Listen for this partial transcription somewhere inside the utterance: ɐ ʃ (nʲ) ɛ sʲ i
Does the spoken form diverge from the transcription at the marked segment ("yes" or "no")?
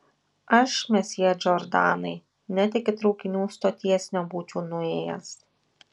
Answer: yes